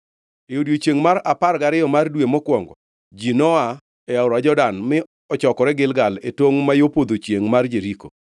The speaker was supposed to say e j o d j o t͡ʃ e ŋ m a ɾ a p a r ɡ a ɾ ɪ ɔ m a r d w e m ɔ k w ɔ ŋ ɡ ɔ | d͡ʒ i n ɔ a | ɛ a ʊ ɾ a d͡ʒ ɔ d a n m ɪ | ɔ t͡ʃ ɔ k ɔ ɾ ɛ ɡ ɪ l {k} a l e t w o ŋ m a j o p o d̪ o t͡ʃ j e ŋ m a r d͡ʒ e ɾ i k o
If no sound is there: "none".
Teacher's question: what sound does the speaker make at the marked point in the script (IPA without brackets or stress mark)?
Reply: ɡ